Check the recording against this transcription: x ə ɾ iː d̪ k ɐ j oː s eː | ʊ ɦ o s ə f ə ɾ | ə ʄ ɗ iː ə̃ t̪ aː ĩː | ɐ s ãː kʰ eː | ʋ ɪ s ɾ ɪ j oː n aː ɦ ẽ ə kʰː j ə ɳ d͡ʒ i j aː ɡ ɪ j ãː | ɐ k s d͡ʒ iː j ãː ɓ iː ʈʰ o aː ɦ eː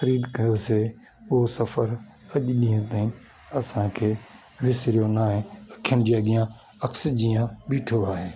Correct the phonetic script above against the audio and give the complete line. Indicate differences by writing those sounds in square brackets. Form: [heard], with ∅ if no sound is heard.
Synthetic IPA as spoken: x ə ɾ iː d̪ k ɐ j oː s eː | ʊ ɦ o s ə f ə ɾ | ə ʄ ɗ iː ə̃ t̪ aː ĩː | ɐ s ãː kʰ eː | ʋ ɪ s ɾ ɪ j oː n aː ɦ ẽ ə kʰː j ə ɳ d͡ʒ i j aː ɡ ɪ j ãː | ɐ k s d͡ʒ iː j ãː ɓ iː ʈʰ o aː ɦ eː